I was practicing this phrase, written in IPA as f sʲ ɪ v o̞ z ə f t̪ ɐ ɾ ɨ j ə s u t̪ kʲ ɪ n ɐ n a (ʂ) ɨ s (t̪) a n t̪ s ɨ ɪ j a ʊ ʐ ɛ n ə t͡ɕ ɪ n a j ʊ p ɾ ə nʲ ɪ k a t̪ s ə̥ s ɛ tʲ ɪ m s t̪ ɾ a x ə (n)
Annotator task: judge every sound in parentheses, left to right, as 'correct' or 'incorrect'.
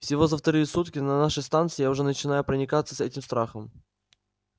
correct, correct, incorrect: m

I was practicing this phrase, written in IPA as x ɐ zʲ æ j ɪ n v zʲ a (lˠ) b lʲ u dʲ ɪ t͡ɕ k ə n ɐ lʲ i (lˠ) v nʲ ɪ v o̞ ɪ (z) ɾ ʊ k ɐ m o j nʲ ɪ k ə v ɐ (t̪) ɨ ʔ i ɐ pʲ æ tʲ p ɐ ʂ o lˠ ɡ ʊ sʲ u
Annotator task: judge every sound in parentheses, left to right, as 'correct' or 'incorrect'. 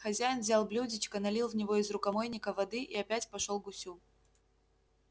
correct, correct, correct, incorrect: d̪

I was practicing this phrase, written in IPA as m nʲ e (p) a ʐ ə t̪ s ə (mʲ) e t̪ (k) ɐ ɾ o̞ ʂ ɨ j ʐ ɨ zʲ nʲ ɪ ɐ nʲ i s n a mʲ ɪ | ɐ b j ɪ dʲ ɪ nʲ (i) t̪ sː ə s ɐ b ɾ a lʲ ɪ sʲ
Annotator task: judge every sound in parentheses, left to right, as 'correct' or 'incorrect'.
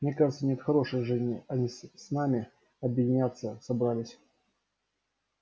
incorrect: k, incorrect: nʲ, incorrect: x, incorrect: a

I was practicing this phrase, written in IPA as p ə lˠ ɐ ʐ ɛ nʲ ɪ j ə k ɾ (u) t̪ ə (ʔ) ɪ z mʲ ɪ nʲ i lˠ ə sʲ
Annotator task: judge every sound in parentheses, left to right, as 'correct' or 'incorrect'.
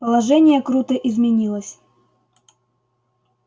correct, correct

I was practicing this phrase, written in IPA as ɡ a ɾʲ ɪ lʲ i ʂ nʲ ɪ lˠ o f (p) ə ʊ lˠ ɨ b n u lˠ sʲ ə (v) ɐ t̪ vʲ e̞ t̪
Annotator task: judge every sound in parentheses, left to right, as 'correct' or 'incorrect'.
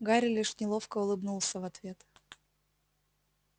incorrect: k, correct

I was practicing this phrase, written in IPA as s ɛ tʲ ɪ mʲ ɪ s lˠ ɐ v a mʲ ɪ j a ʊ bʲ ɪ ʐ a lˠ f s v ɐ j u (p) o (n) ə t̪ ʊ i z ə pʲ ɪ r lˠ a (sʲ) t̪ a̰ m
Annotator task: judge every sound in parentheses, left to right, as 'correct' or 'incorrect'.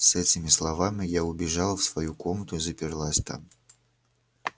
incorrect: k, incorrect: m, correct

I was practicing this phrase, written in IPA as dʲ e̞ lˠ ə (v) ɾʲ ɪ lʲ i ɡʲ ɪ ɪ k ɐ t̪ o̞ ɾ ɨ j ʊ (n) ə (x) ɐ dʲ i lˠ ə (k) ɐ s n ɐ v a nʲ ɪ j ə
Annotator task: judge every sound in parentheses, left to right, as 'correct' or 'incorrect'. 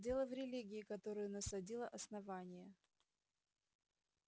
correct, correct, incorrect: s, incorrect: ʔ

